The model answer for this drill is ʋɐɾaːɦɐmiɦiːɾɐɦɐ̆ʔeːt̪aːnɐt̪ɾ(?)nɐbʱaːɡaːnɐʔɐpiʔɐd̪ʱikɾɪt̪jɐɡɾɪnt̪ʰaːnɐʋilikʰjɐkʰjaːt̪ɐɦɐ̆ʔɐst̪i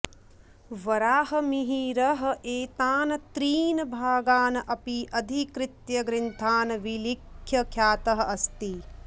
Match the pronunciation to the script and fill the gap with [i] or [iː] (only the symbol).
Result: iː